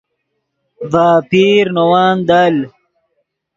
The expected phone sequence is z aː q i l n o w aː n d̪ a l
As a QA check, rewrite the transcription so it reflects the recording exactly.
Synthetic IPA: v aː p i ɾ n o w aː n d̪ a l